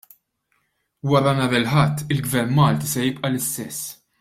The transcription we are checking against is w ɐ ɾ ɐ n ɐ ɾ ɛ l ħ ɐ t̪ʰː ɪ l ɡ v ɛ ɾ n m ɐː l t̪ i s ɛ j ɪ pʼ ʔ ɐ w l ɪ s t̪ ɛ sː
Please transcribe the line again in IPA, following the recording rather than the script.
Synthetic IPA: w ɐ ɾ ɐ n ɐ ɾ ɛ l ħ ɐ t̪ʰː ɪ l ɡ v ɛ ɾ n m ɐː l t̪ i s ɛ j ɪ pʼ ʔ ɐ l ɪ s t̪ ɛ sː